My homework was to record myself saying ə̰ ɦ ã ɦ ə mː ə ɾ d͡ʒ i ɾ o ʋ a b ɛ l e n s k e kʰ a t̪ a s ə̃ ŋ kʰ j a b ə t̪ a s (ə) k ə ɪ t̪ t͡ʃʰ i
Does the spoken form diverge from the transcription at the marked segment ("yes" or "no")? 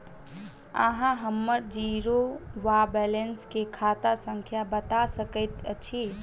no